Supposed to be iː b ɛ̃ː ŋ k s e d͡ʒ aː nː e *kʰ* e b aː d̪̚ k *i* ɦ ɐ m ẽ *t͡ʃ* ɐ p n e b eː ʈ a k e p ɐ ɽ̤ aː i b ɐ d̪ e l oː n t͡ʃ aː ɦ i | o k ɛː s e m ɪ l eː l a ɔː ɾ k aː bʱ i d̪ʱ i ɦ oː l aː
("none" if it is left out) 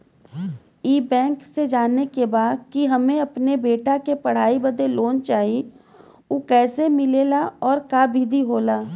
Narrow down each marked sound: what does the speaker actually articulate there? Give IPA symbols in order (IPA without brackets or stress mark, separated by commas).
k, i, none